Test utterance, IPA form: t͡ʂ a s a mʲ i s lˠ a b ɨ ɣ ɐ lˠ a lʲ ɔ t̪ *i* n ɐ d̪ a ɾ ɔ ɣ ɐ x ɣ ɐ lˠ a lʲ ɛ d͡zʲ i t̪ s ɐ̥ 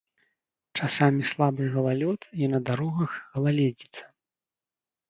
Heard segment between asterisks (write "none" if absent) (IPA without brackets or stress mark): i